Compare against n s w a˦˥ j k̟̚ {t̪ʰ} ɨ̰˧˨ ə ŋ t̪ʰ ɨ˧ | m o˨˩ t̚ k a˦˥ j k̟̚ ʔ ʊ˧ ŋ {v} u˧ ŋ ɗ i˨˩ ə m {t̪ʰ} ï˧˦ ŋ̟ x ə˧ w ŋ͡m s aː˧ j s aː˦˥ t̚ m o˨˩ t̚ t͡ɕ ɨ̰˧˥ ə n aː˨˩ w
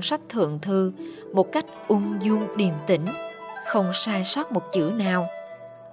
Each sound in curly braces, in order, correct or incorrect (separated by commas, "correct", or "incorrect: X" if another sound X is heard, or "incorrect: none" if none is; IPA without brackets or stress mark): correct, incorrect: z, incorrect: t̪